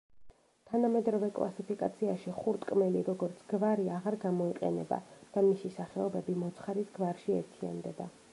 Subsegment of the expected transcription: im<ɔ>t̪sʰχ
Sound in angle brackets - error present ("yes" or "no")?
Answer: no